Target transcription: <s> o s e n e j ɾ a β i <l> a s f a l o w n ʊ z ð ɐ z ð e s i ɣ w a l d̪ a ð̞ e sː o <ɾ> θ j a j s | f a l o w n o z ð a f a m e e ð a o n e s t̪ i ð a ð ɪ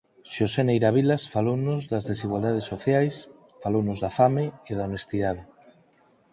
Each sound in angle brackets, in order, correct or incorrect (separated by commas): incorrect, correct, incorrect